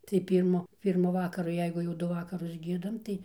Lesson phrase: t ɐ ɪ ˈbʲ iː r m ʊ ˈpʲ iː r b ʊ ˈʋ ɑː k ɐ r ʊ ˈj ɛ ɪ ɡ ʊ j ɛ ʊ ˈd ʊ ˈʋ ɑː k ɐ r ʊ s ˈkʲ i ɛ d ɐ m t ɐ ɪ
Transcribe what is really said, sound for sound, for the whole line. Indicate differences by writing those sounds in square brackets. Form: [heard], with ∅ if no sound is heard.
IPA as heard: t ɐ ɪ [ˈpʲ] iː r m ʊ ˈpʲ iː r [m] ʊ ˈʋ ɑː k ɐ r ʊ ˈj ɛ ɪ ɡ ʊ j ɛ ʊ ˈd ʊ ˈʋ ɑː k ɐ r ʊ s [ˈɡʲ] i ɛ d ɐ m t ɐ ɪ